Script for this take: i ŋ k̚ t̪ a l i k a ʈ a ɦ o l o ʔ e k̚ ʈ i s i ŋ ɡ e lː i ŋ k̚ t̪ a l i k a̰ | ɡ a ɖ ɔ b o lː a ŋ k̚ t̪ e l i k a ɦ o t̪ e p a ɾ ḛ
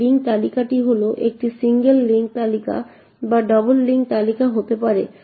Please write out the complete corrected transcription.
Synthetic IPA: i ŋ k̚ t̪ a l i k a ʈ i ɦ o l o ʔ e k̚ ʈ i s i ŋ ɡ e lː i ŋ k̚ t̪ a l i k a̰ | b a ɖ ɔ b o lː i ŋ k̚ t̪ a l i k a ɦ o t̪ e p a ɾ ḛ